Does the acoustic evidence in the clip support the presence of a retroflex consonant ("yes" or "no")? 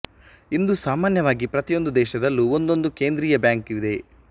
no